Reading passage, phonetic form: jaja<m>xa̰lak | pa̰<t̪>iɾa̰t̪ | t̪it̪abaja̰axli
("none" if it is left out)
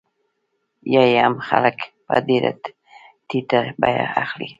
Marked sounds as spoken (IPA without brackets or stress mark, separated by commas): m, d̪